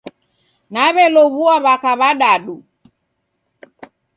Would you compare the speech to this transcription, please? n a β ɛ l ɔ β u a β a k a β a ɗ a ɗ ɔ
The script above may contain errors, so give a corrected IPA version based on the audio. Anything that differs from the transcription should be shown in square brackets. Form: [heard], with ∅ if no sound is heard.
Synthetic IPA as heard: n a β ɛ l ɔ β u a β a k a β a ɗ a ɗ [u]